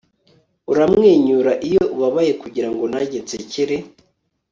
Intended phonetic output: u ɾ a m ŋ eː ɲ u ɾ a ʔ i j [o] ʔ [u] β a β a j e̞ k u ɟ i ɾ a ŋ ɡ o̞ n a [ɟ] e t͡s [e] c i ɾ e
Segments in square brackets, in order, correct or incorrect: correct, correct, correct, correct

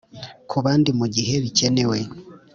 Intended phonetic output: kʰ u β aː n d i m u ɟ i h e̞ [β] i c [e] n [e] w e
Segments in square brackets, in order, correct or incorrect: correct, correct, correct

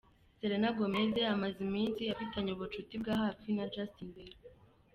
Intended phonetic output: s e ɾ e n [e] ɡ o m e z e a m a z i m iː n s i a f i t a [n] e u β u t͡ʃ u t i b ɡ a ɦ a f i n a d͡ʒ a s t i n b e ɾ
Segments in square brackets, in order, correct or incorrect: incorrect: a, incorrect: ɲ

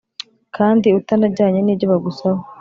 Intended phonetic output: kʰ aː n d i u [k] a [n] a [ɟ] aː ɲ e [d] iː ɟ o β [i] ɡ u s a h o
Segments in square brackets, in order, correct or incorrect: incorrect: t, correct, correct, incorrect: n, incorrect: a

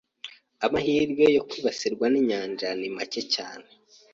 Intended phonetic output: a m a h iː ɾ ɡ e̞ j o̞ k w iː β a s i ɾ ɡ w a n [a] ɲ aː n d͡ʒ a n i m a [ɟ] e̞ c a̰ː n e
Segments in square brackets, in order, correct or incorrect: incorrect: i, incorrect: c

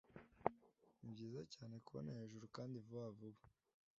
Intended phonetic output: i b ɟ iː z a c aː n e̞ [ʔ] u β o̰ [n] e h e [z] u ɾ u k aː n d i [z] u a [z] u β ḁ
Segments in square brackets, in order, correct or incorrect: incorrect: k, correct, incorrect: ʒ, incorrect: v, incorrect: v

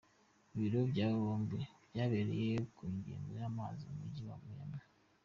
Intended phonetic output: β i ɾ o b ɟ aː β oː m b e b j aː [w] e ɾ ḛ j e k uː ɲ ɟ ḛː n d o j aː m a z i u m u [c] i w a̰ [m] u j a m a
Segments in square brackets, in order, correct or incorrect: incorrect: β, incorrect: ɟ, correct

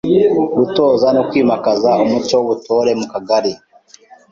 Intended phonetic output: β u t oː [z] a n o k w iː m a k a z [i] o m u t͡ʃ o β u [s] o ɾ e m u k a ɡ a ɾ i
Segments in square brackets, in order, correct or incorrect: correct, incorrect: a, incorrect: t

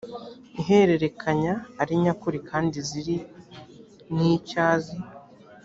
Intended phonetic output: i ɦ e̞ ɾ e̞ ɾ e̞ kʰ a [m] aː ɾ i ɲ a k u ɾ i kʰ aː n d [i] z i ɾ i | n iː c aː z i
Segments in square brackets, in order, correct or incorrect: incorrect: ɲ, correct

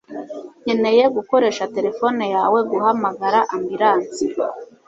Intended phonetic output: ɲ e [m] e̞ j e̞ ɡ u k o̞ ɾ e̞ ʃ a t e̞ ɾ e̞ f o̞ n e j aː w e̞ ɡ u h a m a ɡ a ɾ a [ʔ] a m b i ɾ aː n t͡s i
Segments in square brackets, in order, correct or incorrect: incorrect: n, correct

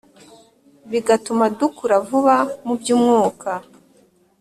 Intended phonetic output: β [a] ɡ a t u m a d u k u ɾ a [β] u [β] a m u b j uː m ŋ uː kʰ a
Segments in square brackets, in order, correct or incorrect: incorrect: i, incorrect: v, correct

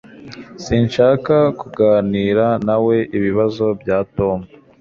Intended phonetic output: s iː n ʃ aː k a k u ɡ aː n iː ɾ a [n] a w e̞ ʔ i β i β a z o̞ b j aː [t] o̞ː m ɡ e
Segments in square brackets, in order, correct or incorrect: correct, correct

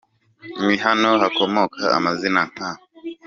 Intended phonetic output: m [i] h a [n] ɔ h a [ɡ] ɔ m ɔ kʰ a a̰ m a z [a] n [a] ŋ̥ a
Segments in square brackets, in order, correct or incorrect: correct, correct, incorrect: k, incorrect: i, correct

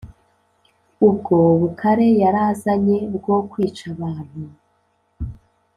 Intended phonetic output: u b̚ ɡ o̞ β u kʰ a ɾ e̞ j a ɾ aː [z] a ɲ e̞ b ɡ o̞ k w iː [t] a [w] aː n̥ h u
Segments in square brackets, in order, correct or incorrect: correct, incorrect: t͡ʃ, incorrect: β

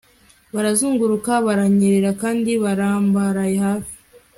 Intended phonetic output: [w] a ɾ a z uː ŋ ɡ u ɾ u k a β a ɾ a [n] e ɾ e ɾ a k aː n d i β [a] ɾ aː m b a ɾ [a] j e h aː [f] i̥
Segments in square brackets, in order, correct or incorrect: incorrect: β, incorrect: ɲ, correct, correct, correct

